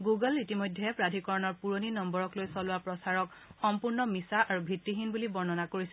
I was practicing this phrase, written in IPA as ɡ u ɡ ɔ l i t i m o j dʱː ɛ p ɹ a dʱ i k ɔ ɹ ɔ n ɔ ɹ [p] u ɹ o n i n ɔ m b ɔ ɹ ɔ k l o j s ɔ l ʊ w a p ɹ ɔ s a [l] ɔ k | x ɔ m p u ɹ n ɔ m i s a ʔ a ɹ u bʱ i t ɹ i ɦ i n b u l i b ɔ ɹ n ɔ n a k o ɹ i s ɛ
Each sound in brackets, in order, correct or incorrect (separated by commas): correct, incorrect